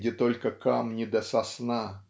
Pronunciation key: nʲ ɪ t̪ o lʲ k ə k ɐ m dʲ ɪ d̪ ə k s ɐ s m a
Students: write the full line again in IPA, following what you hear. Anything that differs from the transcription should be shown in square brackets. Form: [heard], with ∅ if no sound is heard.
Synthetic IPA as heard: [dʲ] ɪ t̪ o lʲ k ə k [a] m [nʲ] ɪ d̪ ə [∅] s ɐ s [n] a